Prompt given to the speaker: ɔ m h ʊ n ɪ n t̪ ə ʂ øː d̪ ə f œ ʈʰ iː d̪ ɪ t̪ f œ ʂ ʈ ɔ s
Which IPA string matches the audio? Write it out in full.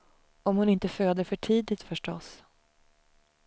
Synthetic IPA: ɔ m h ʊ n ɪ n t̪ ə f øː d̪ ə f œ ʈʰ iː d̪ ɪ t̪ f œ ʂ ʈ ɔ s